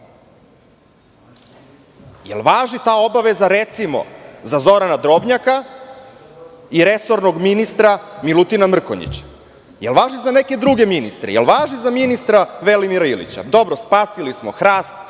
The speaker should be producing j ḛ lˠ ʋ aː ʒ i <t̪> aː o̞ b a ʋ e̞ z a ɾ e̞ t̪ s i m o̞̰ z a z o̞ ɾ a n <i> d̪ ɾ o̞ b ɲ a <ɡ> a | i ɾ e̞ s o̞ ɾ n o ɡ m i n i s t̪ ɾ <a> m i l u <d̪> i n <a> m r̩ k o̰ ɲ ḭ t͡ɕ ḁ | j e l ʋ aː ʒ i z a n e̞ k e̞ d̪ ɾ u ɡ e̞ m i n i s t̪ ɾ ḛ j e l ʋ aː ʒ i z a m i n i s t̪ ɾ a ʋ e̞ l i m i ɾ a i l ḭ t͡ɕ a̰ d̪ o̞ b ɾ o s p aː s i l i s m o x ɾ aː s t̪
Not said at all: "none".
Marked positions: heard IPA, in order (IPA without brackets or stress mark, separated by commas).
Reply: t̪, a, k, a, t̪, a